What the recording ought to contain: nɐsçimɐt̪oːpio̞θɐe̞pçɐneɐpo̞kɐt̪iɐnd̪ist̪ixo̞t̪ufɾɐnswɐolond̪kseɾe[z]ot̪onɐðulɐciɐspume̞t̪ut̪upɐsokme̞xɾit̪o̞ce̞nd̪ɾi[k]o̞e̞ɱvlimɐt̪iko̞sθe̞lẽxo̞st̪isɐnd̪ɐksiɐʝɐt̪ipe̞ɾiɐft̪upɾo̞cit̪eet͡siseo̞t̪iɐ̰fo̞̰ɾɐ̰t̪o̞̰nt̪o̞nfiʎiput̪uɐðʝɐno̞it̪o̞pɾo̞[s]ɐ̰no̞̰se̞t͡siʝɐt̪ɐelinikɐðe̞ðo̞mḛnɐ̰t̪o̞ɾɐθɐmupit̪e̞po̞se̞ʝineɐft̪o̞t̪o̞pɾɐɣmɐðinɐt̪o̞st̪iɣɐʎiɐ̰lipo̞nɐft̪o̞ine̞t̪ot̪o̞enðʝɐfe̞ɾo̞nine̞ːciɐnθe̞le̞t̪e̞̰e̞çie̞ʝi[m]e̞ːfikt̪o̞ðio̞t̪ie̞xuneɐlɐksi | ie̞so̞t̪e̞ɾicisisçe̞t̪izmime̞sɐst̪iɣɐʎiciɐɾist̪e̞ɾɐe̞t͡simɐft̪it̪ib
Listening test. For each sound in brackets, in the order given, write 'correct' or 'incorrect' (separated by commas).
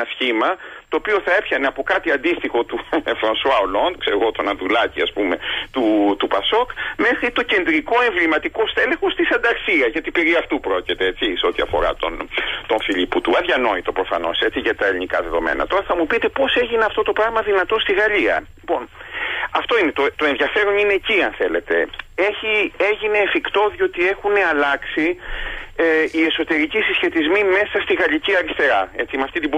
incorrect, correct, incorrect, incorrect